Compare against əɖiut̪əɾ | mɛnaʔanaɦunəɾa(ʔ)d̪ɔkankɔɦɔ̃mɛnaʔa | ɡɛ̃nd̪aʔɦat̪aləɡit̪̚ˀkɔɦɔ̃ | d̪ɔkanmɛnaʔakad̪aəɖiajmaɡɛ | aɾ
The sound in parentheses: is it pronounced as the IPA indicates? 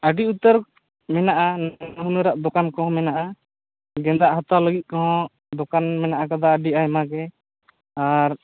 yes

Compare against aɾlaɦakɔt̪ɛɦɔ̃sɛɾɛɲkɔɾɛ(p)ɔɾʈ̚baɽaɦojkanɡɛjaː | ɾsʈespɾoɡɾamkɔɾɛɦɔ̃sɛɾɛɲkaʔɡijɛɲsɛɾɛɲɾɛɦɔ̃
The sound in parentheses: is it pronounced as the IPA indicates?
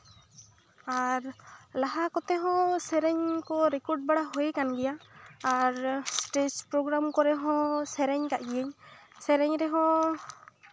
no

